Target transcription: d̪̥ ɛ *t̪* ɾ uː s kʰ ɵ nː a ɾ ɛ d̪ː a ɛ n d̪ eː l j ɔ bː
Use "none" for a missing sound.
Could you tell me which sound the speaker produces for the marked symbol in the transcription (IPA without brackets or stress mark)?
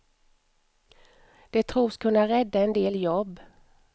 t̪ʰ